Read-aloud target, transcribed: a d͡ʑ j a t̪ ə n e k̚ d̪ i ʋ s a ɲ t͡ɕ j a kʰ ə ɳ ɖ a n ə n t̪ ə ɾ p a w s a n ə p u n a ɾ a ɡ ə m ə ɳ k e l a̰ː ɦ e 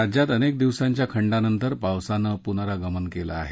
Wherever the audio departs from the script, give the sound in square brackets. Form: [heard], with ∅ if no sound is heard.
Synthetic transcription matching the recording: a d͡ʑ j a t̪ ə n e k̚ d̪ i ʋ s a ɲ t͡ɕ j a kʰ ə ɳ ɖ a n ə n t̪ ə ɾ p a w s a n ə p u n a ɾ a ɡ ə m ə [n] k e l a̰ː ɦ e

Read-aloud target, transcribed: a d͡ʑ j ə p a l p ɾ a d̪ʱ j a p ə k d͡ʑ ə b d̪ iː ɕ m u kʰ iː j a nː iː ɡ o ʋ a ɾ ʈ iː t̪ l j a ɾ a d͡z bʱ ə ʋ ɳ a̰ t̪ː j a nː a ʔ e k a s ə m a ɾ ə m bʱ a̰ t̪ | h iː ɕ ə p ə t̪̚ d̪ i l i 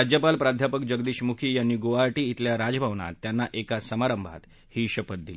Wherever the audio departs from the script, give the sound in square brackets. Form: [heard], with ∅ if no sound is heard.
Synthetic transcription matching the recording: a d͡ʑ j ə p a l p ɾ a d̪ʱ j a p ə k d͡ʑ ə [ɡ] d̪ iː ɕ m u kʰ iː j a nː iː ɡ o ʋ a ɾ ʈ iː t̪ l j a ɾ a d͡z bʱ [a] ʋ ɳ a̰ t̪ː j a nː a ʔ e k a s ə m a ɾ ə m bʱ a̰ t̪ | h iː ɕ ə p ə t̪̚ d̪ i l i

